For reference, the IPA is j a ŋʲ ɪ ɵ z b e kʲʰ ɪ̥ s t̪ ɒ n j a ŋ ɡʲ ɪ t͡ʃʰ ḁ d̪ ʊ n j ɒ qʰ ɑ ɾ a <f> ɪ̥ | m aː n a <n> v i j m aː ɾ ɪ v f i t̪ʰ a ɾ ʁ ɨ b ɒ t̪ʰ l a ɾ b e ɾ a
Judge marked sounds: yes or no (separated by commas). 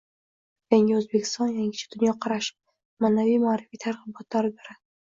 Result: no, no